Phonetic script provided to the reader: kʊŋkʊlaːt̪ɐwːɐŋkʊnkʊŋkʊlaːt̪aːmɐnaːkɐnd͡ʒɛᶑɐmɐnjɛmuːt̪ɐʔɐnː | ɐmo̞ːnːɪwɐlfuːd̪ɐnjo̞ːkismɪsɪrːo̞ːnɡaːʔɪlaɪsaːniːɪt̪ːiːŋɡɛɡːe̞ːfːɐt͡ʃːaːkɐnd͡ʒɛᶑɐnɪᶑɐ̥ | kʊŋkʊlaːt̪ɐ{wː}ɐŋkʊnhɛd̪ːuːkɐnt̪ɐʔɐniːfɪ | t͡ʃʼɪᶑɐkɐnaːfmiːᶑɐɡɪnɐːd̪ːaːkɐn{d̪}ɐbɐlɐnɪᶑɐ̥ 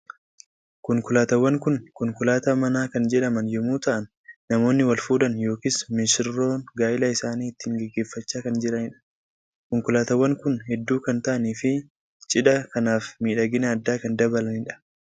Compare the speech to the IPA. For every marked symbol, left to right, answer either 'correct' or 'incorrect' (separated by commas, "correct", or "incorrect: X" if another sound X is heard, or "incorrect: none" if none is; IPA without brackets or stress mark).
correct, correct